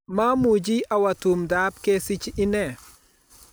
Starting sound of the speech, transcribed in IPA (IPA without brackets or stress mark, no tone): m